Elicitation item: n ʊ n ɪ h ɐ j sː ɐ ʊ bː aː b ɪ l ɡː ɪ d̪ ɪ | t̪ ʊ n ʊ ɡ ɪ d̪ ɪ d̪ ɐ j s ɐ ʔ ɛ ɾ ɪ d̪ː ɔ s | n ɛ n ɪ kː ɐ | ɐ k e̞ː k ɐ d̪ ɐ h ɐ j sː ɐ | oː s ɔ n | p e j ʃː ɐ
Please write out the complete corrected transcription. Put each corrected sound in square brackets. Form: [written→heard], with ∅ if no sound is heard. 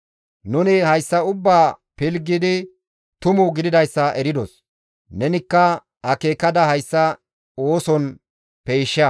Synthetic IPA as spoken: n ʊ n ɪ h ɐ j sː ɐ ʊ bː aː [b→p] ɪ l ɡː ɪ d̪ ɪ | t̪ ʊ [n→m] ʊ ɡ ɪ d̪ ɪ d̪ ɐ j [s→sː] ɐ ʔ ɛ ɾ ɪ [d̪ː→d̪] ɔ s | n ɛ n ɪ kː ɐ | ɐ k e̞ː k ɐ d̪ ɐ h ɐ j sː ɐ | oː s ɔ n | p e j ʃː ɐ